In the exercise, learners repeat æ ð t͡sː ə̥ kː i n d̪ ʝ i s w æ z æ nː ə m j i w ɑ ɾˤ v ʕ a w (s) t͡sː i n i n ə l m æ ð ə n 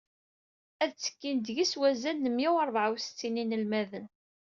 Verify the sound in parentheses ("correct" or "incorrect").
correct